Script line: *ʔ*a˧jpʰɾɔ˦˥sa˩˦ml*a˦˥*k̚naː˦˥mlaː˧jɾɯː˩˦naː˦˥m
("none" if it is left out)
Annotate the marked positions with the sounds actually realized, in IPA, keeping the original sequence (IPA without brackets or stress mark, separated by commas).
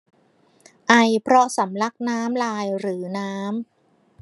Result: ʔ, a˦˥